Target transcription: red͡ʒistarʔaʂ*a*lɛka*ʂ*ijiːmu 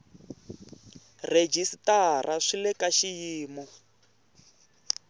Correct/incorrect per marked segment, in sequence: incorrect, incorrect

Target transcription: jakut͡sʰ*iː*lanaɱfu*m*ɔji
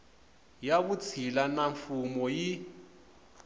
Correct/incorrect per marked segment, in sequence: incorrect, correct

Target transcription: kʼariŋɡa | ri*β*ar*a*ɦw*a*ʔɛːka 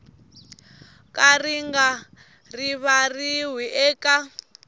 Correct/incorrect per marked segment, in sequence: correct, incorrect, incorrect

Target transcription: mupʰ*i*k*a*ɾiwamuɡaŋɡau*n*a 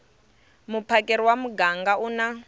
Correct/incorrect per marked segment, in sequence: incorrect, incorrect, correct

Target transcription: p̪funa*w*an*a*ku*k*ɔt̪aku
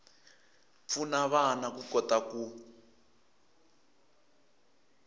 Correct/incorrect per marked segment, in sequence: incorrect, correct, correct

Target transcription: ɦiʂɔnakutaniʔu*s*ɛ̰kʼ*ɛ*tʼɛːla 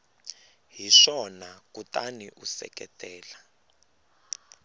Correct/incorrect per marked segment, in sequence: correct, correct

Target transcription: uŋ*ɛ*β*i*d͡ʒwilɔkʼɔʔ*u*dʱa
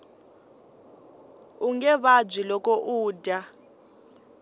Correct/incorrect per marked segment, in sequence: correct, incorrect, incorrect

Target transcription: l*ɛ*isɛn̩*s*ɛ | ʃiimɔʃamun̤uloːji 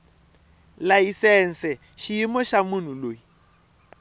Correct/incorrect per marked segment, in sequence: incorrect, correct

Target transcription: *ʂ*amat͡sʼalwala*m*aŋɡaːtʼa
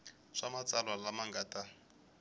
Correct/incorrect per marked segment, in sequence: correct, correct

